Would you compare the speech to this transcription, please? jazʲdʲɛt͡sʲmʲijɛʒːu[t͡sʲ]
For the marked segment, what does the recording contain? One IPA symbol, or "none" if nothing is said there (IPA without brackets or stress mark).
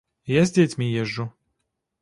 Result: none